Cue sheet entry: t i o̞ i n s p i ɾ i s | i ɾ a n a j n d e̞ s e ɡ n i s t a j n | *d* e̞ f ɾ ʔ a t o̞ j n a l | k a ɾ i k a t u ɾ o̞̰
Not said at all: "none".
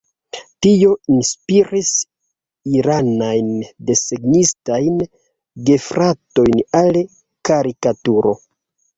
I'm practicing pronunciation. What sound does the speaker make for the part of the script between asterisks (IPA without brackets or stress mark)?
ɡ